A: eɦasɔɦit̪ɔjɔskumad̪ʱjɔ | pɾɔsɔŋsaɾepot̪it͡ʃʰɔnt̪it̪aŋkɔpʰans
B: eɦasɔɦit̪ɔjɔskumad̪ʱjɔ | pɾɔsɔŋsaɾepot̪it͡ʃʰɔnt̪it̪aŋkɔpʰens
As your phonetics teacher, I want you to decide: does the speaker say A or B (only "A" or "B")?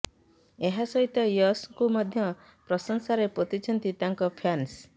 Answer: A